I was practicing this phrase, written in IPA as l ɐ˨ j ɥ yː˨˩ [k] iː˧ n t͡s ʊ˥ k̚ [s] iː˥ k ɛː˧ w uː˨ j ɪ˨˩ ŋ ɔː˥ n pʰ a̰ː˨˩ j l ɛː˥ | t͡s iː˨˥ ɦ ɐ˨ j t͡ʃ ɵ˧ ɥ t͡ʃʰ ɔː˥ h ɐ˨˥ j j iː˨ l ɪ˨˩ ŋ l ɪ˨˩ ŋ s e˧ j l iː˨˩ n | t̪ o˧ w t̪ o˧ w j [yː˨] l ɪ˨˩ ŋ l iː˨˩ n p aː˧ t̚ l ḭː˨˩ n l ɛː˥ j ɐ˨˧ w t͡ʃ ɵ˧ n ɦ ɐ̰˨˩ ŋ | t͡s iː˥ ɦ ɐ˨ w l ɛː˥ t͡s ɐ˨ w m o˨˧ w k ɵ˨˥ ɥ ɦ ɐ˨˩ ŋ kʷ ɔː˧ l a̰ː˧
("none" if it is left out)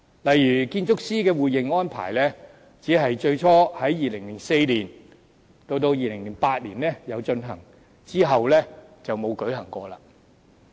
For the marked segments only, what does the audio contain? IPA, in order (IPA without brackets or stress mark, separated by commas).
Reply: k, s, iː˨